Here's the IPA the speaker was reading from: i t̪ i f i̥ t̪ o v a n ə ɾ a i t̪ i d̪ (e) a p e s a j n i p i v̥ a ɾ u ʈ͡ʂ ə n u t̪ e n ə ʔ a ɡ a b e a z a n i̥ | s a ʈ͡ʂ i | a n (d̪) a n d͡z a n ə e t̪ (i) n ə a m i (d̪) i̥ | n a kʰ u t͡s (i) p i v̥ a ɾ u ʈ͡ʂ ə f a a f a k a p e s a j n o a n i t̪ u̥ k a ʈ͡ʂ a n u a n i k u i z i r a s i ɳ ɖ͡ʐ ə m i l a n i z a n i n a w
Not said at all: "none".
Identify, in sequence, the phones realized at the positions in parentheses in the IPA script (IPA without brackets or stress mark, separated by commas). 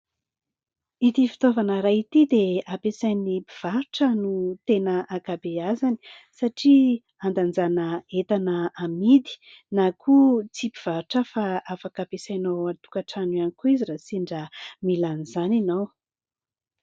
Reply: e, d̪, a, d̪, i